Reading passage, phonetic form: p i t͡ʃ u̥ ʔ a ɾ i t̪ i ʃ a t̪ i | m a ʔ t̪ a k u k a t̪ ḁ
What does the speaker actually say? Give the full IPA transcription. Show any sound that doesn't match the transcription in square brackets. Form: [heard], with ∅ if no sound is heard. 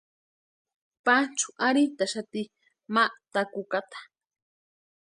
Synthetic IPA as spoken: p [a] t͡ʃ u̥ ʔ a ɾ i t̪ [a] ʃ a t̪ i | m a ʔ t̪ a k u k a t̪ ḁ